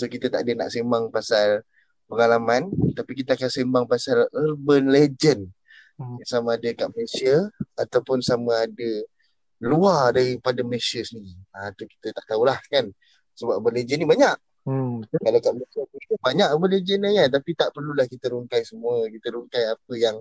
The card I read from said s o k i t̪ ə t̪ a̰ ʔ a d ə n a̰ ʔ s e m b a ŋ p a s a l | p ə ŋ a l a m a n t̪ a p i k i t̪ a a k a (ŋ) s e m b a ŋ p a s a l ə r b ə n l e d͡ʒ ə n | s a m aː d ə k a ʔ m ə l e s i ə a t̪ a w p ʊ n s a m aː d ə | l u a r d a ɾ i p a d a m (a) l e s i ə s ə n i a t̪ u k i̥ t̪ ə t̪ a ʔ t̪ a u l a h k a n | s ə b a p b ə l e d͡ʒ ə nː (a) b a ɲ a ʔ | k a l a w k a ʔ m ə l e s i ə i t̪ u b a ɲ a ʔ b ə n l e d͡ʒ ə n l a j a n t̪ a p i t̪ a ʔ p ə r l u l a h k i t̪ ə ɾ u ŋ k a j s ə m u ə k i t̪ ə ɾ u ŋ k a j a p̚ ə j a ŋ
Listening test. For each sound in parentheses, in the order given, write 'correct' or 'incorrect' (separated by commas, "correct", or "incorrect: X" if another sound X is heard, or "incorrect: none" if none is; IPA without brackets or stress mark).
incorrect: n, incorrect: ə, incorrect: i